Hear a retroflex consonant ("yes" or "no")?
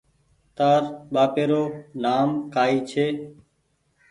no